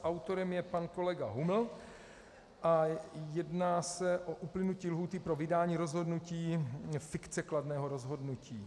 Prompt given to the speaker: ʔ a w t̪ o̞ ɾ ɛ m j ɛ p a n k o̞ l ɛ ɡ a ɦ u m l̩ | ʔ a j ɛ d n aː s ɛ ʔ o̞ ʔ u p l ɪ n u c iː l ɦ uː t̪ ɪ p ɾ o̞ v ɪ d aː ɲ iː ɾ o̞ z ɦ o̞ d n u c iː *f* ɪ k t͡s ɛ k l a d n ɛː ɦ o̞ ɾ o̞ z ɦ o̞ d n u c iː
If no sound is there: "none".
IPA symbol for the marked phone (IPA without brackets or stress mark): f